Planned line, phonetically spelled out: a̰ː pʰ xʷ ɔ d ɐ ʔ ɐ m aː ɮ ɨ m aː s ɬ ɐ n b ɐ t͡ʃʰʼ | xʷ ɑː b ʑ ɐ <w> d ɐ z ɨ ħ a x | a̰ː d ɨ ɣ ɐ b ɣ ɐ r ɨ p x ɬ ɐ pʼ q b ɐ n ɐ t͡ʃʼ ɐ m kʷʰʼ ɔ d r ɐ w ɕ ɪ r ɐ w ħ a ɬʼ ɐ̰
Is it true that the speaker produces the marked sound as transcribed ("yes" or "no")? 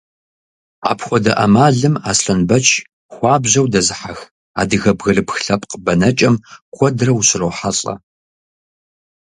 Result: yes